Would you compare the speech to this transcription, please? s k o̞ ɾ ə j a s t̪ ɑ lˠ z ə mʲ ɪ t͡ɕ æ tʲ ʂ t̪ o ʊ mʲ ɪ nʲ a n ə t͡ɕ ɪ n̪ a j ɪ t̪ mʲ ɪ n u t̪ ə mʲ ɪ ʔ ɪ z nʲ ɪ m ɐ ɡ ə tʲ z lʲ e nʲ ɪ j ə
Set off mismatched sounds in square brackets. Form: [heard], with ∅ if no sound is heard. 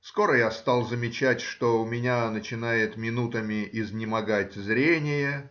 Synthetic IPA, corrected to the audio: s k o̞ ɾ ə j a s t̪ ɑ lˠ z ə mʲ ɪ t͡ɕ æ tʲ ʂ t̪ o ʊ mʲ ɪ nʲ a n ə t͡ɕ ɪ n̪ a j ɪ t̪ mʲ ɪ n u t̪ ə mʲ ɪ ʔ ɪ z nʲ ɪ m ɐ ɡ [a] tʲ z [ɾʲ] e nʲ ɪ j ə